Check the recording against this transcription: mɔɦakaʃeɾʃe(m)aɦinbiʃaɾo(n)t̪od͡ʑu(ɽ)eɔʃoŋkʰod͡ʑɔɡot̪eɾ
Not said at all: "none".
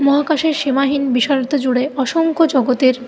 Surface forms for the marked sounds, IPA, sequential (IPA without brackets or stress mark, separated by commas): m, none, ɽ